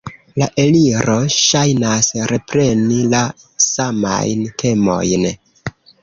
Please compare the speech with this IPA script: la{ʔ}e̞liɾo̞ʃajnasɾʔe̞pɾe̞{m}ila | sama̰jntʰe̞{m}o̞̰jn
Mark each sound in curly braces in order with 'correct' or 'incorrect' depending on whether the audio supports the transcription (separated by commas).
correct, incorrect, correct